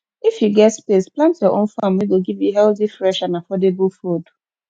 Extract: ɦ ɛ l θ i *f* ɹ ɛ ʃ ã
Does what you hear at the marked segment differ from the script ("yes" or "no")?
no